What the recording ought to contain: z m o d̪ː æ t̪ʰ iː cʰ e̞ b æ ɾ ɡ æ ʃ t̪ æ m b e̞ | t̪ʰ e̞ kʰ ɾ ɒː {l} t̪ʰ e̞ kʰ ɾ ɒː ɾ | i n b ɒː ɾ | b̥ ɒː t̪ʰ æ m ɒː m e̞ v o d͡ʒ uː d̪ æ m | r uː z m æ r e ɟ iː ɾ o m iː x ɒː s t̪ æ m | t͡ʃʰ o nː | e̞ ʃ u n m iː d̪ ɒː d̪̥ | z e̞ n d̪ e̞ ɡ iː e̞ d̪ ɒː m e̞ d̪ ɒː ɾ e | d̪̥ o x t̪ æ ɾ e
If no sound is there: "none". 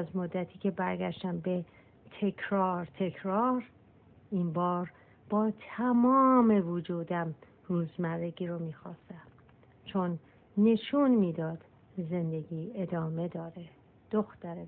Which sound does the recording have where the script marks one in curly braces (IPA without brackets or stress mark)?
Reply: ɾ